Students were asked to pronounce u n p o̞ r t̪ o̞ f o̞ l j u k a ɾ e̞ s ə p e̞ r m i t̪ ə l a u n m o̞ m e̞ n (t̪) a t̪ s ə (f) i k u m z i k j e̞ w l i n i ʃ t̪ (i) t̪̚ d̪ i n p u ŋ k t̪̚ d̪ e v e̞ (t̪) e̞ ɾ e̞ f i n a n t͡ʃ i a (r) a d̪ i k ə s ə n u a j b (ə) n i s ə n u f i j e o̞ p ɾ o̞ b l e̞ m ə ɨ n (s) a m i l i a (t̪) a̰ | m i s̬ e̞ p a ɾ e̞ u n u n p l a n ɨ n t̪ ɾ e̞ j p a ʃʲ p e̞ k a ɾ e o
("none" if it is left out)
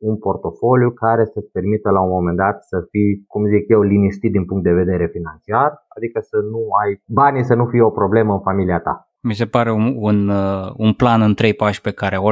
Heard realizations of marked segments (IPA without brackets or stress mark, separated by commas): d̪, f, i, d̪, r, a, f, t̪